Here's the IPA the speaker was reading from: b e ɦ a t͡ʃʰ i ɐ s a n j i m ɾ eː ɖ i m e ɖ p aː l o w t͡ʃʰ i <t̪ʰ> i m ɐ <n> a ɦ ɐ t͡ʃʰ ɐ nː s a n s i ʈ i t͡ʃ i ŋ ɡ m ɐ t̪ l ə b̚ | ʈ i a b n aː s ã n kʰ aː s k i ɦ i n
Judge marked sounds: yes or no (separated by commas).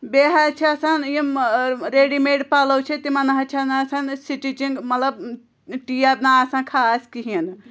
no, yes